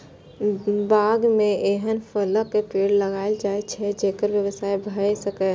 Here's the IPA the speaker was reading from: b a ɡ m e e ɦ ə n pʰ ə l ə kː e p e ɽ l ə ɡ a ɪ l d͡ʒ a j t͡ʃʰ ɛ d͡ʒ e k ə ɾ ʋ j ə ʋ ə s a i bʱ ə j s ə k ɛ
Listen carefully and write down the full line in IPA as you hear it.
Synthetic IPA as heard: b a ɡ m e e ɦ ə n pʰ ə l ə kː e p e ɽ l ə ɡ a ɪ l d͡ʒ a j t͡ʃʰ ɛ d͡ʒ e k ə ɾ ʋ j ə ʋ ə s a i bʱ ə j s ə k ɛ